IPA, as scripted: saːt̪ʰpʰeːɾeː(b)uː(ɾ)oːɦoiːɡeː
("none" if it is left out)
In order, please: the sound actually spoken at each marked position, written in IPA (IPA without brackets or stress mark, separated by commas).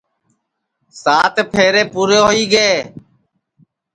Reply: p, ɾ